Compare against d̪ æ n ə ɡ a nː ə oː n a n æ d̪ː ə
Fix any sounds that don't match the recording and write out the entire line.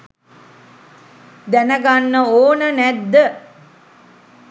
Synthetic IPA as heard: d̪ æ n ə ɡ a nː ə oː n ə n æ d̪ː ə